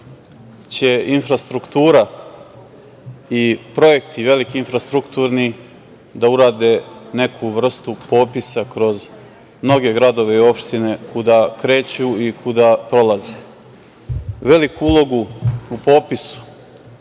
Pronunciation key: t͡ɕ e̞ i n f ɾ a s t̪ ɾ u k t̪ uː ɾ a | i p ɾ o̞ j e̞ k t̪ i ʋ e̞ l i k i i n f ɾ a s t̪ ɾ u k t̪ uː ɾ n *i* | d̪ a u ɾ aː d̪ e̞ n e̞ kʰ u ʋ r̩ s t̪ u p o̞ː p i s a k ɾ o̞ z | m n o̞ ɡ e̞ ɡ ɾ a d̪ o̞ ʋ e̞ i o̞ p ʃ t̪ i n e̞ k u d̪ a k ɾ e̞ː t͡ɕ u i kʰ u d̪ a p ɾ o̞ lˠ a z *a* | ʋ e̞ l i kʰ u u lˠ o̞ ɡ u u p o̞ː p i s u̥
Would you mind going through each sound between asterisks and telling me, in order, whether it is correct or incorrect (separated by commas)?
correct, incorrect